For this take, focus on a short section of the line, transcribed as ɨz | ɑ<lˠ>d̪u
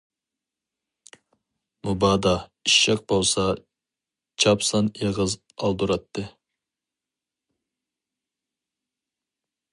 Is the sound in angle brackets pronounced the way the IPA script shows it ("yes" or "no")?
yes